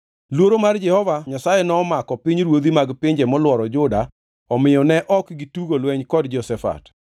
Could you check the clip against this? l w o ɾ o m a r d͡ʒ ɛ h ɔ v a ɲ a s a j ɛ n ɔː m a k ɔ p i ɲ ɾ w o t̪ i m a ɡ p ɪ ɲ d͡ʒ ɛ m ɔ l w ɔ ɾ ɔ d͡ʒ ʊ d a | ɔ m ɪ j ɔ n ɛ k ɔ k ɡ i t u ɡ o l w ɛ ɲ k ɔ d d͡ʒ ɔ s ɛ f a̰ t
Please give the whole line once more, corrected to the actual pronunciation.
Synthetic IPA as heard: l w o ɾ o m a r d͡ʒ ɛ h ɔ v a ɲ a s a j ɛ n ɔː m a k ɔ p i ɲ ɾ w o d̪ i m a ɡ p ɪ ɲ d͡ʒ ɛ m ɔ l w ɔ ɾ ɔ d͡ʒ ʊ d a | ɔ m ɪ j ɔ n ɛ ʔ ɔ k ɡ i t u ɡ o l w ɛ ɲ k ɔ d d͡ʒ ɔ s ɛ f a̰ t